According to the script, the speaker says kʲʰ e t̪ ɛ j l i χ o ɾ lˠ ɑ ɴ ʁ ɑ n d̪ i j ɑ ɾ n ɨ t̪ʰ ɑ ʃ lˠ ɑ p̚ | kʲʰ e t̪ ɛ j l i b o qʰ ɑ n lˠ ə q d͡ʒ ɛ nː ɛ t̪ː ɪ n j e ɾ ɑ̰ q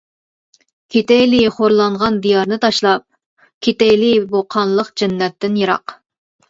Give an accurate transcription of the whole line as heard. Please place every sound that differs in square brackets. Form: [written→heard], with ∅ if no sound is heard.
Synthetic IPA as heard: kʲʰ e t̪ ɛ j l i χ o ɾ lˠ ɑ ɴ ʁ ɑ n d̪ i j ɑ ɾ n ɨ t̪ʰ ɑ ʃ lˠ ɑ p̚ | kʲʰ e t̪ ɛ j l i b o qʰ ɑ n lˠ ə q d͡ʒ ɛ nː ɛ t̪ː ɪ n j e ɾ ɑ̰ q

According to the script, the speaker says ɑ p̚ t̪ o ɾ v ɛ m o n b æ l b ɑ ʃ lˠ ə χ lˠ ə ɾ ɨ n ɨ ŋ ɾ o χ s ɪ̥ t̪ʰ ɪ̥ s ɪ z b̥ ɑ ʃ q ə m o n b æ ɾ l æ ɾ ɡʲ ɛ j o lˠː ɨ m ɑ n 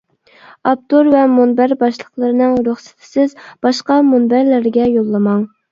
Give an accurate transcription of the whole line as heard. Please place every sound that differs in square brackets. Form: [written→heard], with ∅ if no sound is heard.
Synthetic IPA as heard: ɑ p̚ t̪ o ɾ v ɛ m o n b æ [l→ɾ] b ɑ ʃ lˠ ə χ lˠ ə ɾ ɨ n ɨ ŋ ɾ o χ s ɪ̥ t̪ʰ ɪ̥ s ɪ z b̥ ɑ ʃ q [ə→ɑ] m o n b æ ɾ l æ ɾ ɡʲ ɛ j o lˠː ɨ m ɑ [n→ŋ]

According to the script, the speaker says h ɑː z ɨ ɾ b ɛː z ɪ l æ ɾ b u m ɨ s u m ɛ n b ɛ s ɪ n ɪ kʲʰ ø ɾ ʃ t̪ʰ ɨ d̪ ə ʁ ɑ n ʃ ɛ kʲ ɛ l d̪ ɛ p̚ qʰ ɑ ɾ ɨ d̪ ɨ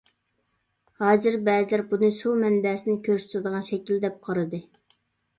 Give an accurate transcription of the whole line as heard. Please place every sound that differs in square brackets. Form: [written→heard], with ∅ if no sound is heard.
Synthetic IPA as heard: h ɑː z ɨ ɾ b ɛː z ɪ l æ ɾ b u [m→n] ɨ s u m ɛ n b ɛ s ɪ n ɪ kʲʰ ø ɾ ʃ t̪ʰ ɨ d̪ ə ʁ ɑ n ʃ ɛ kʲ [ɛ→i] l d̪ ɛ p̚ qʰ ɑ ɾ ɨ d̪ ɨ

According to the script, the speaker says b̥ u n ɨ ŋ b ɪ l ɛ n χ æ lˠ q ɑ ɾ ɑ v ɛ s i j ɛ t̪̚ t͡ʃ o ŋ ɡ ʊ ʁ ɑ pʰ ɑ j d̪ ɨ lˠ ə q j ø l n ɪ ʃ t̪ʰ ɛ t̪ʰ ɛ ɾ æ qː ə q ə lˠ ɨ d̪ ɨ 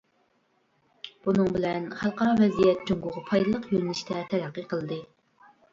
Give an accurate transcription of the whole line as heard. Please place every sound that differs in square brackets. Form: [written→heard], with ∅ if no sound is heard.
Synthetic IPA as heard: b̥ u n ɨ ŋ b ɪ l ɛ n χ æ lˠ q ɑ ɾ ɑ v ɛ [s→z] i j ɛ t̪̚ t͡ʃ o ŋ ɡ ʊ ʁ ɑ pʰ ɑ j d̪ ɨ lˠ ə q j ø l n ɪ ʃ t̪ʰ ɛ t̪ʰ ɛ ɾ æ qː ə q ə lˠ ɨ d̪ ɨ

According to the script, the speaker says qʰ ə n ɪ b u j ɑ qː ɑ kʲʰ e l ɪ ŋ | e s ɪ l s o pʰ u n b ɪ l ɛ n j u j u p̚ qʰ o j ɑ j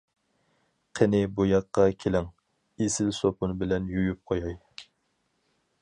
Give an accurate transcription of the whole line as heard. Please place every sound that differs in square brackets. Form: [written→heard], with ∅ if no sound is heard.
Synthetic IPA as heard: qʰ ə n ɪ b u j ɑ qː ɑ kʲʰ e l ɪ ŋ | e s ɪ l s o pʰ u n b ɪ l ɛ n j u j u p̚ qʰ o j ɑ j

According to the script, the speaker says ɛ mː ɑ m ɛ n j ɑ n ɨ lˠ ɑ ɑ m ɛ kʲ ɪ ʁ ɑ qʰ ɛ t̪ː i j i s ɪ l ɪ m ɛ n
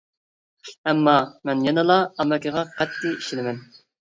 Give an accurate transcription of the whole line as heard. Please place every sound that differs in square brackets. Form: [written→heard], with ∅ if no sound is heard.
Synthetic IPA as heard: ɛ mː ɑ m ɛ n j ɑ n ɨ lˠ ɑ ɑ m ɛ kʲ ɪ ʁ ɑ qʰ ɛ t̪ː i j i [s→ʃ] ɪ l ɪ m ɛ n

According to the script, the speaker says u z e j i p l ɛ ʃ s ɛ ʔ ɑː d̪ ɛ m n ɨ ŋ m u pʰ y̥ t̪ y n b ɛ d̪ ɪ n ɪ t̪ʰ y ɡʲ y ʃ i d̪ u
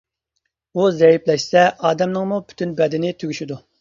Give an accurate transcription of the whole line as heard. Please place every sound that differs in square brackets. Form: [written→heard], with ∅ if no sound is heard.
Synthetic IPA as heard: u z [e→ɛ] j i p l ɛ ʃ s ɛ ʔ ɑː d̪ ɛ m n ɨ ŋ m u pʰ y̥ t̪ y n b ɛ d̪ ɪ n ɪ t̪ʰ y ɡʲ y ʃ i d̪ u

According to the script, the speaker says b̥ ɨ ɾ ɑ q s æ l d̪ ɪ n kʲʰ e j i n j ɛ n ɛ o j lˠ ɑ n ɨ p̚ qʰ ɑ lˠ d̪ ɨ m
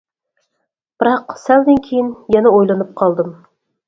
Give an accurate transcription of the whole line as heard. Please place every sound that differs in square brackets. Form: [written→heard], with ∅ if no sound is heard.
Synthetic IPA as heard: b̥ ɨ ɾ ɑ q s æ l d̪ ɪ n kʲʰ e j i n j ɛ n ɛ o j lˠ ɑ n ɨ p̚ qʰ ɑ lˠ d̪ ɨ m

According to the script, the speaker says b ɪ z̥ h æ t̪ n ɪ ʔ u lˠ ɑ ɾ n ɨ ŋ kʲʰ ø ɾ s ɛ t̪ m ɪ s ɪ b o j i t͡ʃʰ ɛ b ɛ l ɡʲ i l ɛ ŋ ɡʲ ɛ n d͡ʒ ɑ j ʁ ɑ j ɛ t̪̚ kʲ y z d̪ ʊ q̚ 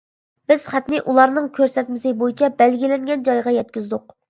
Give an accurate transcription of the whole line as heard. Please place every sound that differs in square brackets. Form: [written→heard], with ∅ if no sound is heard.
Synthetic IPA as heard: b ɪ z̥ [h→χ] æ t̪ n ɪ ʔ u lˠ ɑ ɾ n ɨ ŋ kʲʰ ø ɾ s ɛ t̪ m ɪ s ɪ b o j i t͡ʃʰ ɛ b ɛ l ɡʲ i l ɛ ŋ ɡʲ ɛ n d͡ʒ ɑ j ʁ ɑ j ɛ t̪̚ kʲ y z d̪ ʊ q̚

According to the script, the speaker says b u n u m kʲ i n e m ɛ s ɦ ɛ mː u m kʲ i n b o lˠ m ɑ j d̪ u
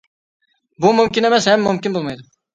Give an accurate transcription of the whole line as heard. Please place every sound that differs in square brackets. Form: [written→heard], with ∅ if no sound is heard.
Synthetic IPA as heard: b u [n→m] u m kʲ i n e m ɛ s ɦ ɛ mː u m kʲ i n b o lˠ m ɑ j d̪ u

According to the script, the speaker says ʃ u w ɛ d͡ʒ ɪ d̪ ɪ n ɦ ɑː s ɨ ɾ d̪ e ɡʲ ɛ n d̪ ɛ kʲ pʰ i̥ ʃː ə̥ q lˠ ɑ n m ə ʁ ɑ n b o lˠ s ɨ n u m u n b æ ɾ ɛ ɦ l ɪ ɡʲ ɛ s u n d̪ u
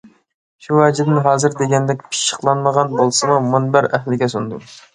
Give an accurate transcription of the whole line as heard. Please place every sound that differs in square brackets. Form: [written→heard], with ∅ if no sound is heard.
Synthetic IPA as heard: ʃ u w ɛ d͡ʒ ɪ d̪ ɪ n ɦ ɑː [s→z] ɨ ɾ d̪ e ɡʲ ɛ n d̪ ɛ kʲ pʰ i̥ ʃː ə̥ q lˠ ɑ n m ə ʁ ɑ n b o lˠ s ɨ [n→m] u m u n b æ ɾ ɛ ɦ l ɪ ɡʲ ɛ s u n d̪ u

